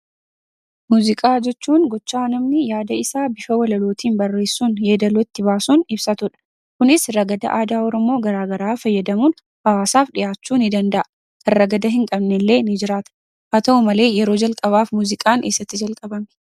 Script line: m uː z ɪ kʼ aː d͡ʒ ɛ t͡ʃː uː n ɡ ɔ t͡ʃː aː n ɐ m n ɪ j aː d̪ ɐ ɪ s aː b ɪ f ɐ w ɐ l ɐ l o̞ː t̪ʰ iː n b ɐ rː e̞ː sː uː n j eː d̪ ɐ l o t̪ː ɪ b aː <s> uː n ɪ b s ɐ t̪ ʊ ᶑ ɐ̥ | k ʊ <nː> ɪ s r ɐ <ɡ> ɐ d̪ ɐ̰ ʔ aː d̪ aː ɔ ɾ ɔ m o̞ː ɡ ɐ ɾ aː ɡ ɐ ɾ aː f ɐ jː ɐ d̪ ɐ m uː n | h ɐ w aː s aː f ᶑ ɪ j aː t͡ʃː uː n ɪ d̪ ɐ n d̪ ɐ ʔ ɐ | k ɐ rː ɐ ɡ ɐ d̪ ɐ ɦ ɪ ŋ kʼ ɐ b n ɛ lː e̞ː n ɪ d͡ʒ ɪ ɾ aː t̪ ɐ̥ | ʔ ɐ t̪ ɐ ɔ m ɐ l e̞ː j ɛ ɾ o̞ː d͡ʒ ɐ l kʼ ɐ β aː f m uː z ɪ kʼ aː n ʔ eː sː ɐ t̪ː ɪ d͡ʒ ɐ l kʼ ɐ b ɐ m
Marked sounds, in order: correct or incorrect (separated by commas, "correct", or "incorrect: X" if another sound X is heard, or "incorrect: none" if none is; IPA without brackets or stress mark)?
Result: correct, incorrect: n, correct